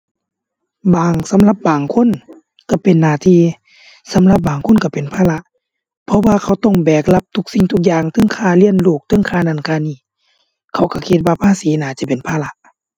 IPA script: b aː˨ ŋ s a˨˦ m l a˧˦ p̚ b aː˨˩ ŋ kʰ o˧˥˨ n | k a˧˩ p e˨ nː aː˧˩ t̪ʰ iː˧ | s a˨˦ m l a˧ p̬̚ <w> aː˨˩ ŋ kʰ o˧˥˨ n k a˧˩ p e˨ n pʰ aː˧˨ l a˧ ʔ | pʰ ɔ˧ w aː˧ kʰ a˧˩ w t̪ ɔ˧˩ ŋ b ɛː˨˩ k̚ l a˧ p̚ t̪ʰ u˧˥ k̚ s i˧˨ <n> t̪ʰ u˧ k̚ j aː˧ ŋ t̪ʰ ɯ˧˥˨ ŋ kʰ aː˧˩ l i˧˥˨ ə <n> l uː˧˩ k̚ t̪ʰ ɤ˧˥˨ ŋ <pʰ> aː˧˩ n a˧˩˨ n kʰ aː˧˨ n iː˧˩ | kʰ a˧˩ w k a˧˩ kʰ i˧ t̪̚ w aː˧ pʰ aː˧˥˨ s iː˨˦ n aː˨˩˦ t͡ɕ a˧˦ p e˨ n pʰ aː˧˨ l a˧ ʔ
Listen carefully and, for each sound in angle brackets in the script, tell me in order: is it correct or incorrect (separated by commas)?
incorrect, incorrect, correct, incorrect